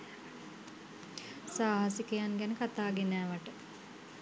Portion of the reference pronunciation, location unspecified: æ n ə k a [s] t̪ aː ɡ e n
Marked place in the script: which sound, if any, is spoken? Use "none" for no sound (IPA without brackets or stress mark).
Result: none